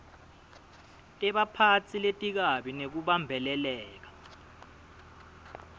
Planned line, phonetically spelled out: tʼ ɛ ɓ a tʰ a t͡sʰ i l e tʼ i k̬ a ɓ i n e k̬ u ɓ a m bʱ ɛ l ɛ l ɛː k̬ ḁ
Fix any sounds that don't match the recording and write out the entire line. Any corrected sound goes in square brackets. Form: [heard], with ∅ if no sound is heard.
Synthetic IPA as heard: tʼ ɛ ɓ a [pʰ] a t͡sʰ i l e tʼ i k̬ a ɓ i n e k̬ u ɓ a m bʱ ɛ l ɛ l ɛː k̬ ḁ